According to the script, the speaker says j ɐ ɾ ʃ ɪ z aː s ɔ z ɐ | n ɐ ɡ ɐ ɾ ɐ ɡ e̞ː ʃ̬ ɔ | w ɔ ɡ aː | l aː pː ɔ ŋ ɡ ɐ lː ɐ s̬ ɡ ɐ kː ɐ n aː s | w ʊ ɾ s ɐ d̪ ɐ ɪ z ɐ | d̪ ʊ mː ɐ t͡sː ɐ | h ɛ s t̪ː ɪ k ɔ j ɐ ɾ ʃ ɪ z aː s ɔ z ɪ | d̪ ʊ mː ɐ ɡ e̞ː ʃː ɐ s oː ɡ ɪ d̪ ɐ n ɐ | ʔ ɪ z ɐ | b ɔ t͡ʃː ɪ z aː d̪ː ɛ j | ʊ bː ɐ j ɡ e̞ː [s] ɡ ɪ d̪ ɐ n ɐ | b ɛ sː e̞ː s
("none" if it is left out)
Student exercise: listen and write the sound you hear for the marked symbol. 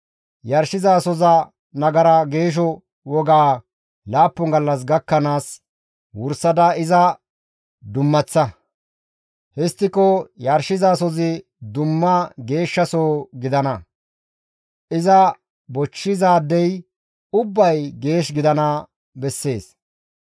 ʃ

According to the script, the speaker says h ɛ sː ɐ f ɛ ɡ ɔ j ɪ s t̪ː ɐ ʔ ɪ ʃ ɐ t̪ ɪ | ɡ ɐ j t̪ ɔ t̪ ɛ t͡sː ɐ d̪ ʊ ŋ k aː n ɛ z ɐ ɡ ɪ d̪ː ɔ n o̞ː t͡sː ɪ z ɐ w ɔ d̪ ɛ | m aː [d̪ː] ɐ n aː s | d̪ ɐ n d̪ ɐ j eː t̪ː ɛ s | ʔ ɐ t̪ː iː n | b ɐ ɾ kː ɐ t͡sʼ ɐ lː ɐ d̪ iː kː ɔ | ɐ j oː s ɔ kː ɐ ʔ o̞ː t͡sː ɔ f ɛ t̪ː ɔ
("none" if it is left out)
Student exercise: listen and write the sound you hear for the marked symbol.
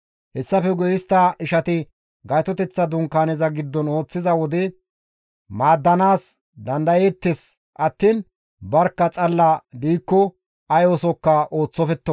d̪ː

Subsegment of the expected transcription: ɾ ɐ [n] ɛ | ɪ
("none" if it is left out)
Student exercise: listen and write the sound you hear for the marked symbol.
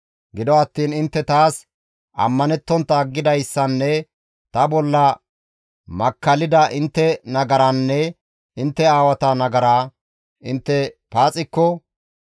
nː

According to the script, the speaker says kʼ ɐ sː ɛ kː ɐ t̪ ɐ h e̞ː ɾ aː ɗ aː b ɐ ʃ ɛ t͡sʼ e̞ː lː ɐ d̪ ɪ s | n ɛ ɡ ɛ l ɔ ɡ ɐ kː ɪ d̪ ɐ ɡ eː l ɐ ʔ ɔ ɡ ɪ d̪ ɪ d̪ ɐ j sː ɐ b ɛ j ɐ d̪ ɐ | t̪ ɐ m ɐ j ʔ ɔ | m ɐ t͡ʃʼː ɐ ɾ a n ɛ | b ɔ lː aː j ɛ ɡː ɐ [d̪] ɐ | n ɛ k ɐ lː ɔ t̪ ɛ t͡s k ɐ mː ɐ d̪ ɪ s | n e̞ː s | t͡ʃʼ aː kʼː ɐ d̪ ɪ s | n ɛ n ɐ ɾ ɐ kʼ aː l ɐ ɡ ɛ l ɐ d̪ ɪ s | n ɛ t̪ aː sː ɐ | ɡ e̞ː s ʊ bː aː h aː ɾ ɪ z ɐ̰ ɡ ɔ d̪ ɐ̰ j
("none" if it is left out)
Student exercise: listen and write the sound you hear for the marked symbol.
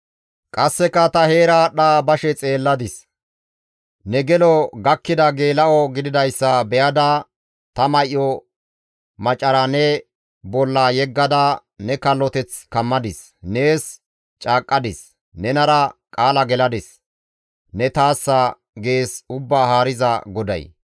d̪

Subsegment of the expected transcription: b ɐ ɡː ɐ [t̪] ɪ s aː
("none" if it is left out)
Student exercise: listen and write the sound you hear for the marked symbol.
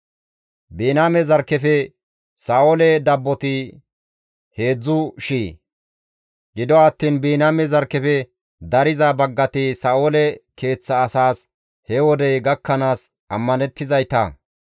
t̪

